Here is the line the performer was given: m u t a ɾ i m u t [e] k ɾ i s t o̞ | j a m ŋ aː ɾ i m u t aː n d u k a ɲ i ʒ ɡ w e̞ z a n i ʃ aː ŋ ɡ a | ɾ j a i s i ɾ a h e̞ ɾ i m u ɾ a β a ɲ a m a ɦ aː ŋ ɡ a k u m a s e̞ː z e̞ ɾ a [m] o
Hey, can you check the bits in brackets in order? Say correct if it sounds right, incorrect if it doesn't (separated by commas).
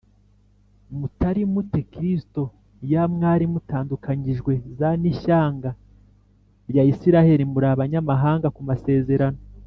correct, incorrect